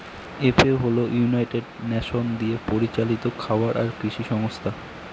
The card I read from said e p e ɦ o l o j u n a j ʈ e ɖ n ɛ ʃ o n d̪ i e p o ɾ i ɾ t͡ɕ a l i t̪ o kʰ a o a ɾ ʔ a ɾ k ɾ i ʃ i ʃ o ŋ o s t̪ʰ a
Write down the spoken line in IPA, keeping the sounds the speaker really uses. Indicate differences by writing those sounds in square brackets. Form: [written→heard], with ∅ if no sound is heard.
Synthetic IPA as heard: e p e ɦ o l o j u n a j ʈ e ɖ n ɛ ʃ o n d̪ i e p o ɾ i [ɾ→∅] t͡ɕ a l i t̪ o kʰ a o a ɾ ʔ a ɾ k ɾ i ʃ i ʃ [o→ɔ] ŋ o s t̪ʰ a